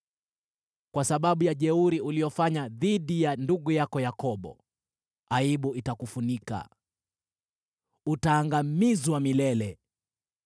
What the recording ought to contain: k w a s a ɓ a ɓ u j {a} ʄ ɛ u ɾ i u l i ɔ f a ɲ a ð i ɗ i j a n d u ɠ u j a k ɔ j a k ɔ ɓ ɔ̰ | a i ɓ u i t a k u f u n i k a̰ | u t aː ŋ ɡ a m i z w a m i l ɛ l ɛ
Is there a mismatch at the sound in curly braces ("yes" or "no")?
no